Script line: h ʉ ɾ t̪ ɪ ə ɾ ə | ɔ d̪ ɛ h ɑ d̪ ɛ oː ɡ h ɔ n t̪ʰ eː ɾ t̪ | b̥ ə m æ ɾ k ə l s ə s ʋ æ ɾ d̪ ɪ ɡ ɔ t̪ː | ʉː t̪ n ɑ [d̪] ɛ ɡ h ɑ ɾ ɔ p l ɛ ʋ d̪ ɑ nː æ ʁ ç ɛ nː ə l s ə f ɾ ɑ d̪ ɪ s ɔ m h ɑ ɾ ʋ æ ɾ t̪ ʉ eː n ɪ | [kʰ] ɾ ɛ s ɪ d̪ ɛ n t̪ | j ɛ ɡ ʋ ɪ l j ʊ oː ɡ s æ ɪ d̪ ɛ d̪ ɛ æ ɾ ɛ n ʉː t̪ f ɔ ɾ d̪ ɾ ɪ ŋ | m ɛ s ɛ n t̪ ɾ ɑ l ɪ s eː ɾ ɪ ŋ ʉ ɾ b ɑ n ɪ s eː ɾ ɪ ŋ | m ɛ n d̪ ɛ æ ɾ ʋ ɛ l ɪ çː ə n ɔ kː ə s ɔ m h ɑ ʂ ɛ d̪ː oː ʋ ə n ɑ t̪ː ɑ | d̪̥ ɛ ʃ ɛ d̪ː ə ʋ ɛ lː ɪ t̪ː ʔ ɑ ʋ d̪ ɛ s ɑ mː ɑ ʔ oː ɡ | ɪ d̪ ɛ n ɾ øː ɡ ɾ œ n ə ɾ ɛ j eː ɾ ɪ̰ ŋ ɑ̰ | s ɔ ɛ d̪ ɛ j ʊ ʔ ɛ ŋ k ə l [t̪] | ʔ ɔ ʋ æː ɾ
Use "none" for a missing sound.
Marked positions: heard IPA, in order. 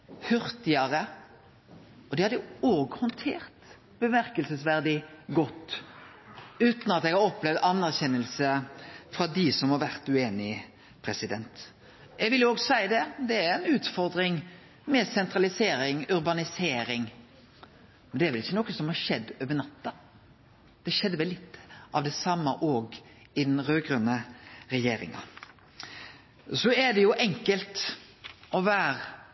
t̪, pʰ, t̪

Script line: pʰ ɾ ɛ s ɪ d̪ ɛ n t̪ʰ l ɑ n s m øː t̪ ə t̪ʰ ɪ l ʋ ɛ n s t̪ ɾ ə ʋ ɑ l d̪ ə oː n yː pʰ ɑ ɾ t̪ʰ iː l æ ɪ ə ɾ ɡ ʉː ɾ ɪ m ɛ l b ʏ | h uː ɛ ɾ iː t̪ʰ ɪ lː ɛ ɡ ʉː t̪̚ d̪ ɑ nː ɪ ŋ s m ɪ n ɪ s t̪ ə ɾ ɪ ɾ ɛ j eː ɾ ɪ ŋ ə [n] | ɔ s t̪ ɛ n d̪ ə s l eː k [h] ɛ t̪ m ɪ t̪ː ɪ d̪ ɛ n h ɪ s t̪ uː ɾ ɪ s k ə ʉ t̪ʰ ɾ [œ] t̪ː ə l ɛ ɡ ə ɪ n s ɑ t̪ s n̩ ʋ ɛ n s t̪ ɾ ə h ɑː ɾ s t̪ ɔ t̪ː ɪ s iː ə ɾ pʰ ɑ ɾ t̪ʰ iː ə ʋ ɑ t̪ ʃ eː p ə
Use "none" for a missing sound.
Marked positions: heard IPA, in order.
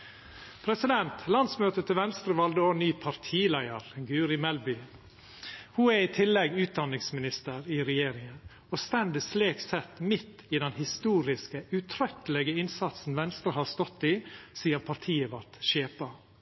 n, s, œ

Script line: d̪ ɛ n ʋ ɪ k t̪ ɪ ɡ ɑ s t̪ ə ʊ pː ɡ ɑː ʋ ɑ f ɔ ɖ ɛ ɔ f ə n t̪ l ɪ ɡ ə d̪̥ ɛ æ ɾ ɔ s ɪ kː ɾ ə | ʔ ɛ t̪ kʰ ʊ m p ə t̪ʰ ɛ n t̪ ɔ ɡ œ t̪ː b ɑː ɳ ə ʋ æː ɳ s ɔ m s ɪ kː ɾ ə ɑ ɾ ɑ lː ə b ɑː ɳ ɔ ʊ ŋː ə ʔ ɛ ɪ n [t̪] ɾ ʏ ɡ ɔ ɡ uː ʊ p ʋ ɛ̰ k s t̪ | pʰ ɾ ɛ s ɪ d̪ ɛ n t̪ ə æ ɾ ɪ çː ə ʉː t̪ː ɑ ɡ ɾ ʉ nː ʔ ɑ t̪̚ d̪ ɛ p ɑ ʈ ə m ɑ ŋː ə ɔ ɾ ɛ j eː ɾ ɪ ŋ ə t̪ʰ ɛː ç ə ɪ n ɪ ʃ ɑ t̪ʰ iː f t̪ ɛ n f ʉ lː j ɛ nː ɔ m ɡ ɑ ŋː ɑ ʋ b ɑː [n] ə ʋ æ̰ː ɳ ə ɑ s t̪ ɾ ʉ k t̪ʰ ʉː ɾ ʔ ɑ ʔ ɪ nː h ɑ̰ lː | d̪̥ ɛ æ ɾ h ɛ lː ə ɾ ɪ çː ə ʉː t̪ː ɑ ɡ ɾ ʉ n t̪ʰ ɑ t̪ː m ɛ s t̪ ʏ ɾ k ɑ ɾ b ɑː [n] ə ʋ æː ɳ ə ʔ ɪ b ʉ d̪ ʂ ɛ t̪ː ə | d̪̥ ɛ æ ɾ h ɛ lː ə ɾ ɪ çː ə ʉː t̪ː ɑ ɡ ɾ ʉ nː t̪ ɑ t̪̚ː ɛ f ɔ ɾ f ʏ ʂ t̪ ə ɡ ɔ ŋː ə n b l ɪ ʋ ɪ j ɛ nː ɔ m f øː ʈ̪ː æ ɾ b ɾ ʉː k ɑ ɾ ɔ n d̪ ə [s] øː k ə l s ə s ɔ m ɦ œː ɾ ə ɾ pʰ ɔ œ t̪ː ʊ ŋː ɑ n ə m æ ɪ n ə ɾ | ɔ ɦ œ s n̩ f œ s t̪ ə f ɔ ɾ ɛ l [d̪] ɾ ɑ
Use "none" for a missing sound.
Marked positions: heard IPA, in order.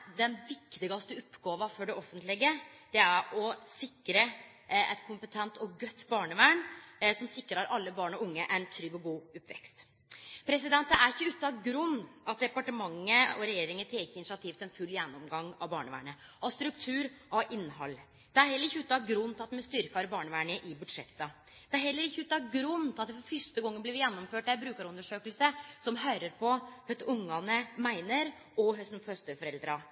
t̪ʰ, ɳ, ɳ, ʂ, d̪

